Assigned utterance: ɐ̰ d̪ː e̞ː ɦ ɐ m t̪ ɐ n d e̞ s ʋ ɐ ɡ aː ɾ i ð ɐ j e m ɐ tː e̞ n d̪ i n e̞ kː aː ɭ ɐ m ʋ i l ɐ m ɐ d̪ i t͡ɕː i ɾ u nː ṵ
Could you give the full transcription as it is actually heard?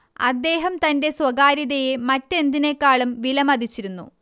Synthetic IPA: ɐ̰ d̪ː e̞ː ɦ ɐ m t̪ ɐ n d e̞ s w ɐ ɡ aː ɾ i ð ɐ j e m ɐ tː e̞ n d̪ i n e̞ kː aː ɭ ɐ m ʋ i l ɐ m ɐ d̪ i t͡ɕː i ɾ u nː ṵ